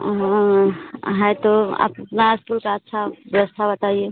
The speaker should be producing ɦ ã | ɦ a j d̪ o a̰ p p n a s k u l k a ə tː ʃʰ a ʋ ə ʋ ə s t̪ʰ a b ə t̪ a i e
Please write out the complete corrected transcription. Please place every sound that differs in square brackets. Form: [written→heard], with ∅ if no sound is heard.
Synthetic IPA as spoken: ɦ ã | ɦ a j [d̪→t̪] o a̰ p p n a s k u l k a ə tː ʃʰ a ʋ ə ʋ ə s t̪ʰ a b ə t̪ a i e